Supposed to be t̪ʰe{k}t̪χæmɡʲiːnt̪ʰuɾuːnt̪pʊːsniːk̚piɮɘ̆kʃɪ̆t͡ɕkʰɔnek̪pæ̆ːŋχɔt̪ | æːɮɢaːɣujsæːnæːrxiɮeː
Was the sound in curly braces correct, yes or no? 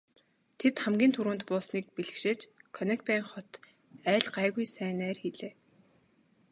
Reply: no